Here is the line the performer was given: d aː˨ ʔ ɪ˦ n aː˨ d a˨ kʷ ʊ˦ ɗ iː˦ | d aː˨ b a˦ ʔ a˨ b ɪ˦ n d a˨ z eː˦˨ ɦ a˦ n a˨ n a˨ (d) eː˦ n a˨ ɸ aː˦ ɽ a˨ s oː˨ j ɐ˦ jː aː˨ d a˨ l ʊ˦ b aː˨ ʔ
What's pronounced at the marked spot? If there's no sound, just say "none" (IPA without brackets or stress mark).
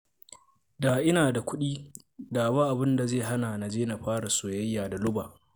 d͡ʒ